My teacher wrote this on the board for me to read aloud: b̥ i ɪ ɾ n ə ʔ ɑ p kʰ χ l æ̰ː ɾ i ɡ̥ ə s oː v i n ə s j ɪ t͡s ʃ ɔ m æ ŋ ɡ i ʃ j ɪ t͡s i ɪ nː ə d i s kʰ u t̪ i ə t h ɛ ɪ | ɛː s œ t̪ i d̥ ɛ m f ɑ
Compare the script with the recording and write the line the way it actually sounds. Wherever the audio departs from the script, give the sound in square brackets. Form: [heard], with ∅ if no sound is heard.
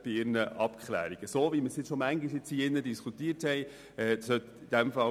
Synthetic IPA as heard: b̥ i ɪ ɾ n ə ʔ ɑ p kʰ χ l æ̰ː ɾ i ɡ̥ ə s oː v i [m] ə s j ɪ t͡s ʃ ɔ m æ ŋ ɡ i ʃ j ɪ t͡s i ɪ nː ə d i s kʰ u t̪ i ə t h ɛ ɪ | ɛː s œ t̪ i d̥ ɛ m f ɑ